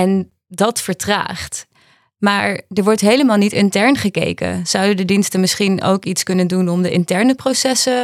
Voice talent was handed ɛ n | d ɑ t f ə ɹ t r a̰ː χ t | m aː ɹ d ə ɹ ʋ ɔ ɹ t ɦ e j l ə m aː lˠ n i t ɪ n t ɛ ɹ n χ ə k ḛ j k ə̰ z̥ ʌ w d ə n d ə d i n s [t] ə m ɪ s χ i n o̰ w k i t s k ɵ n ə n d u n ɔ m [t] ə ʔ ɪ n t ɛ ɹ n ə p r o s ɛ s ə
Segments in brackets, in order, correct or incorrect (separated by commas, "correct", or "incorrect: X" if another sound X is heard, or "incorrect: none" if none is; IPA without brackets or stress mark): correct, incorrect: d